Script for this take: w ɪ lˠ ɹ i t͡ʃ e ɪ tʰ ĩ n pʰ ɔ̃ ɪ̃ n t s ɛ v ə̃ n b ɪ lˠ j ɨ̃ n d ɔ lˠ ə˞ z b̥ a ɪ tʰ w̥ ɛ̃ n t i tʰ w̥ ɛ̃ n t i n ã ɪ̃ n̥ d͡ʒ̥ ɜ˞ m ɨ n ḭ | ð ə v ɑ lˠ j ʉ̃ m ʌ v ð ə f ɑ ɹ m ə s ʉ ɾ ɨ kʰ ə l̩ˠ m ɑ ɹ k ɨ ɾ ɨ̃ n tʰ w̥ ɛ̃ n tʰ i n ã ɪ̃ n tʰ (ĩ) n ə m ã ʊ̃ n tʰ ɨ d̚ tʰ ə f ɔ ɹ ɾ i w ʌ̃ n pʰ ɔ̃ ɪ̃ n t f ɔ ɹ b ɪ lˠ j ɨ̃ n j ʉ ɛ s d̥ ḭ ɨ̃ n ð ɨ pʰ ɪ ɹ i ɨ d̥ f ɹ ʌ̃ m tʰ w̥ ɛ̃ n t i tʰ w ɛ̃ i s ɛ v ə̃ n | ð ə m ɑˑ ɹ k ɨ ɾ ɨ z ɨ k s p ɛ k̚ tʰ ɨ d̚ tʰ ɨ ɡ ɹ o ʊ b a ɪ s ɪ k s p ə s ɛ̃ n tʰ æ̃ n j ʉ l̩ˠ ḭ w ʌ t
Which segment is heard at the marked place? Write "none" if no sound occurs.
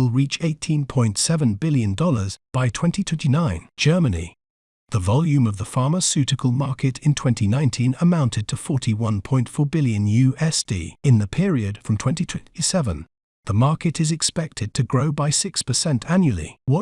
ĩ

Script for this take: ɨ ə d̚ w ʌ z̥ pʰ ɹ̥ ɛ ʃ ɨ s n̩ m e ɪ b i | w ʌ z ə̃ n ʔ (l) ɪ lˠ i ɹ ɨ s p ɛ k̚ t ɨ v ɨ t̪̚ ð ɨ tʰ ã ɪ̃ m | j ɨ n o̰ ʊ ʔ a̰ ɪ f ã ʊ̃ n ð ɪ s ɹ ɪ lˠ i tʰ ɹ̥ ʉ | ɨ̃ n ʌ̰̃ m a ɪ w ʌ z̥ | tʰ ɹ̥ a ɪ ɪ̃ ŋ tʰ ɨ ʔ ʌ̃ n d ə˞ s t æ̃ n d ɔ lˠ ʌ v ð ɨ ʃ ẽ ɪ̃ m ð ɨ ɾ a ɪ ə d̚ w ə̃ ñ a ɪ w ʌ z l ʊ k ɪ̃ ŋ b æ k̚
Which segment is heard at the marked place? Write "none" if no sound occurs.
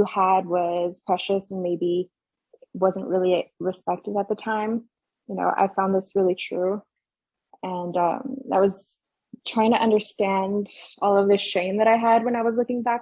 ɹ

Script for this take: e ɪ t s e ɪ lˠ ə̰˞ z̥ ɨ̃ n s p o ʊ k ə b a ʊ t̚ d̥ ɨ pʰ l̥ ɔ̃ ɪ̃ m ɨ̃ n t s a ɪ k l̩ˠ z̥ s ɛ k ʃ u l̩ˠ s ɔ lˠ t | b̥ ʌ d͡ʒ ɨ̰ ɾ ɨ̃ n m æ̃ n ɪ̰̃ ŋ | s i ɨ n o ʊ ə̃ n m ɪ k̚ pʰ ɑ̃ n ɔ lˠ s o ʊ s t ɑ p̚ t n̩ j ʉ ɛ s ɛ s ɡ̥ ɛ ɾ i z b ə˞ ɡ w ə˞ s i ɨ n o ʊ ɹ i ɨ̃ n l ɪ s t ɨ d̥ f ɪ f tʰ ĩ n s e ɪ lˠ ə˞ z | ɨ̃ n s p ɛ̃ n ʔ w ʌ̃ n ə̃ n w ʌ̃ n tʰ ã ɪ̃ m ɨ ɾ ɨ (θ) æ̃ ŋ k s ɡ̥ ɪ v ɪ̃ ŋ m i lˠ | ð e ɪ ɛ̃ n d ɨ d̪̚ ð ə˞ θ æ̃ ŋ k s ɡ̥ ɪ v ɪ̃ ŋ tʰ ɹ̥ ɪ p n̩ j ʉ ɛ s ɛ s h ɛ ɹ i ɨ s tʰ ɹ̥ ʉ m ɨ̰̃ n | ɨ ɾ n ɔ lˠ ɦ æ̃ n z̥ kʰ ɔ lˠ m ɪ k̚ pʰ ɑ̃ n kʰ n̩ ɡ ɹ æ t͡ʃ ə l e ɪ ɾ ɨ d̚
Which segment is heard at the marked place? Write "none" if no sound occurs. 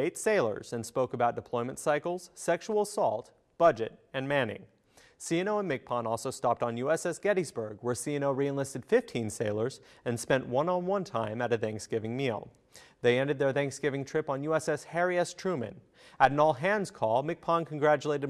θ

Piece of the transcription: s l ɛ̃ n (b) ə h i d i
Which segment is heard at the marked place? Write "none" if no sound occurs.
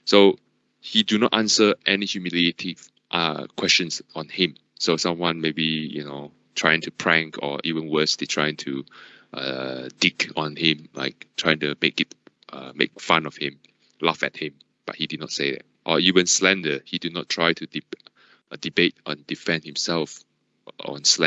d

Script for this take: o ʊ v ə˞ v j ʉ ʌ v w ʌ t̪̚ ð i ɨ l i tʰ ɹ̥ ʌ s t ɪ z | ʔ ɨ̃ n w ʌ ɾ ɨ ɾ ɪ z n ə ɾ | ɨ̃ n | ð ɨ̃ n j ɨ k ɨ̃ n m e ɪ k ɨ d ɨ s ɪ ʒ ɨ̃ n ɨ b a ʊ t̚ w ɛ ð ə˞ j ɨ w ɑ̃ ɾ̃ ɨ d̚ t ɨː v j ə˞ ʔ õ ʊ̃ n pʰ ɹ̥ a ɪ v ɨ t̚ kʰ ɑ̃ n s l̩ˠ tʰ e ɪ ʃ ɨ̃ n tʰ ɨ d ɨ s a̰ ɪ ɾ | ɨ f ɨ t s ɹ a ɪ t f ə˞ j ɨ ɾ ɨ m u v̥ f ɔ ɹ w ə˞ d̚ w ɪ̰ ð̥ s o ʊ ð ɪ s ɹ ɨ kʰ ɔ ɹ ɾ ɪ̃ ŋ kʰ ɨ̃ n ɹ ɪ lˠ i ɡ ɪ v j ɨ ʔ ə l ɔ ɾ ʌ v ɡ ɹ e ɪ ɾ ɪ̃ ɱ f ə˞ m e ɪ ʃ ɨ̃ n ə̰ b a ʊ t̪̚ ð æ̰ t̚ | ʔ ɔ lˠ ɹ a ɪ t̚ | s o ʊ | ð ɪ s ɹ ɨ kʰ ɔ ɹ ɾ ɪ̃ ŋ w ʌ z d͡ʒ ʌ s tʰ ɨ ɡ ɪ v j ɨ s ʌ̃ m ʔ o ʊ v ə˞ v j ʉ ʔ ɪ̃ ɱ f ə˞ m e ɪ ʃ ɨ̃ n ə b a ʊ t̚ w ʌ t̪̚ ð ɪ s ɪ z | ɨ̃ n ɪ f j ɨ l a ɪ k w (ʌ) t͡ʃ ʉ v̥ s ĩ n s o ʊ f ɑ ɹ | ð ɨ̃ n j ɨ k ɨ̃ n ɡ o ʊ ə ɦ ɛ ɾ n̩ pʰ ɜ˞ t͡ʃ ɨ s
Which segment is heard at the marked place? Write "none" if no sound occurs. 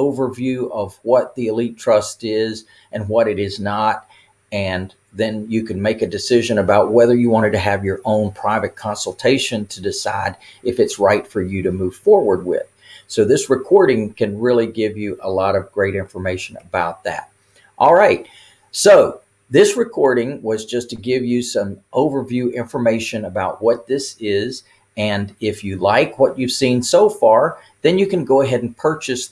ʌ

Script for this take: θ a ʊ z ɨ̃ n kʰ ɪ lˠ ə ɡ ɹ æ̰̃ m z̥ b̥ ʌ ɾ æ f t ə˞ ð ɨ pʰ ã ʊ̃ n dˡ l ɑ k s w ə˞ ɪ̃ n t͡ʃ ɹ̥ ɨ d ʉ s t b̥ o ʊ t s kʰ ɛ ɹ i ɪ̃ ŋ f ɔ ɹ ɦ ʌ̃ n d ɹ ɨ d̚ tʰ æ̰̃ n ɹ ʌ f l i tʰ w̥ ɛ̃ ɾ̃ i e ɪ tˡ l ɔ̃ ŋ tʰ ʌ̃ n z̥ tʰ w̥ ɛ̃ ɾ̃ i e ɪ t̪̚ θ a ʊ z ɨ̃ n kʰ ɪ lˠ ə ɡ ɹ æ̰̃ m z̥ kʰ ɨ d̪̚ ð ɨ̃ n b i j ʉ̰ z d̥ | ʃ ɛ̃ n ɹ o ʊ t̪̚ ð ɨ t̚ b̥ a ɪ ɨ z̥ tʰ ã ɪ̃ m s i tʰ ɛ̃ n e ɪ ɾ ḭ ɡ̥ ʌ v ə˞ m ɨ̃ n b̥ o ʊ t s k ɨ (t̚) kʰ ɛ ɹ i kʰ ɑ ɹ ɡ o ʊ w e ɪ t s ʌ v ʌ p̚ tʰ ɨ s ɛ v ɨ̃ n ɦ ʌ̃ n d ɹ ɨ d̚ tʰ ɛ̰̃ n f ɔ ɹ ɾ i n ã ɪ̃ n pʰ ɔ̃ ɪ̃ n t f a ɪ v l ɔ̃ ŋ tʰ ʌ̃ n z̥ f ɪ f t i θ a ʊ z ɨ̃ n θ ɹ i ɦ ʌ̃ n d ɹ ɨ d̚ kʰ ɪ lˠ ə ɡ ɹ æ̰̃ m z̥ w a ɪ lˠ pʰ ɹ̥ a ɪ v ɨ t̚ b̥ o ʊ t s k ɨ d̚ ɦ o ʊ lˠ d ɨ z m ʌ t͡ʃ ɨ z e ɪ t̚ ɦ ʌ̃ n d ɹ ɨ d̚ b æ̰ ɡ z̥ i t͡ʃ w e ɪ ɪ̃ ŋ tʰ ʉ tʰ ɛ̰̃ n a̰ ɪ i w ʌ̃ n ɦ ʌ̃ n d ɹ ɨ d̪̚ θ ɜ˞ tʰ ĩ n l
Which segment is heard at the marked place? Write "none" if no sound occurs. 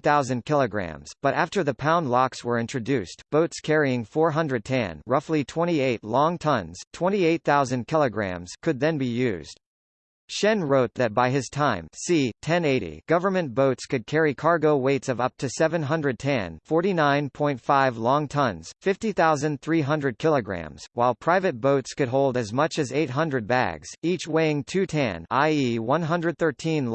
d̚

